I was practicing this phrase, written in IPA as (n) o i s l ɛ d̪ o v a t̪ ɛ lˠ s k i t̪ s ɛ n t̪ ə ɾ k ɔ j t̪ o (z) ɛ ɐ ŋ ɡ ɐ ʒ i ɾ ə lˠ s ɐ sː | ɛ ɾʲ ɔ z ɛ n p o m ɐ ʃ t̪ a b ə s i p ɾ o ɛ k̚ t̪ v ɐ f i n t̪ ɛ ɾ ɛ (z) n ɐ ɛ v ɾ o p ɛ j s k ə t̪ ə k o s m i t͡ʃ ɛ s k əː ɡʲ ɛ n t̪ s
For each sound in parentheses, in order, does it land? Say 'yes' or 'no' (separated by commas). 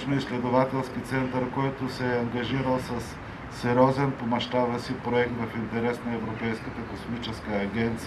yes, no, no